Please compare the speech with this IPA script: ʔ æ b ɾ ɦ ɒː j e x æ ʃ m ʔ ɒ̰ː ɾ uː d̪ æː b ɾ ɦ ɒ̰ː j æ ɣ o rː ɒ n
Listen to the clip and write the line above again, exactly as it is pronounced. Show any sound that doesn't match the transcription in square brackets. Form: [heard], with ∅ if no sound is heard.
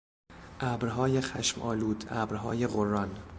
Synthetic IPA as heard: ʔ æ b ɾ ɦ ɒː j e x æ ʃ m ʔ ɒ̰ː [l] uː d̪ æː b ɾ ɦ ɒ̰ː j [e] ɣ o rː ɒ n